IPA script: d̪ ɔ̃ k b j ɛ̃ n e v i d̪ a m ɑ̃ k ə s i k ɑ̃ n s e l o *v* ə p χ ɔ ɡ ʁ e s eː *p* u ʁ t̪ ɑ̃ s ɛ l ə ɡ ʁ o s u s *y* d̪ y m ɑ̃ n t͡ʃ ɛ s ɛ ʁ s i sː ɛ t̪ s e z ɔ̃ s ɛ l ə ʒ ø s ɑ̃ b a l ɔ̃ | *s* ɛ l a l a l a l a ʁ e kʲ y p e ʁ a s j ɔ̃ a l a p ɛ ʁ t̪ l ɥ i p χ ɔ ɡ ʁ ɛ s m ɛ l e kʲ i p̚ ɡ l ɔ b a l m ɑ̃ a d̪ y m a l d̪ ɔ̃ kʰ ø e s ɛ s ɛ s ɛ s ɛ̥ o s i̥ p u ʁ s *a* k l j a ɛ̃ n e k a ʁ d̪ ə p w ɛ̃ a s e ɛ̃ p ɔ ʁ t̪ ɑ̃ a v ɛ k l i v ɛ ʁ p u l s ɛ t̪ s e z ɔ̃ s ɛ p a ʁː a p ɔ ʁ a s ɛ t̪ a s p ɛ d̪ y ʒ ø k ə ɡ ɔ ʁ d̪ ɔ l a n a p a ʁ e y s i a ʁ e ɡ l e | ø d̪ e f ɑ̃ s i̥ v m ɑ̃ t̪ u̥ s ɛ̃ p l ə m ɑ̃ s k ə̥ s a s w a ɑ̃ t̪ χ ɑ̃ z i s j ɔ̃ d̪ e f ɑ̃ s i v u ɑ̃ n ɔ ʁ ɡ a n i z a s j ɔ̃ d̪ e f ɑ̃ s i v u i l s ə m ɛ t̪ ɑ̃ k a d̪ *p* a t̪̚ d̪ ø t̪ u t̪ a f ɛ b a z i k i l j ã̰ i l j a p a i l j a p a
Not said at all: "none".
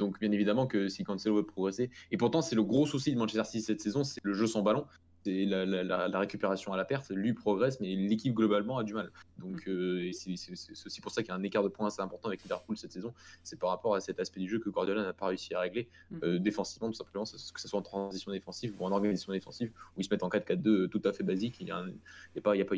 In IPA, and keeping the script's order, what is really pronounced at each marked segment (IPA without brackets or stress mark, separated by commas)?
v, p, i, s, a, k